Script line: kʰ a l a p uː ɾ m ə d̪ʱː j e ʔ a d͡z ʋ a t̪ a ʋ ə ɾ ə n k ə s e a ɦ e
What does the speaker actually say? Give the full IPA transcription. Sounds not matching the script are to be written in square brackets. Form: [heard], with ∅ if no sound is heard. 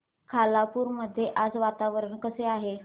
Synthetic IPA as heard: kʰ a l a p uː ɾ m ə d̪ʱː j e ʔ a d͡z ʋ a t̪ a ʋ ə ɾ ə [ɳ] k ə s e a ɦ e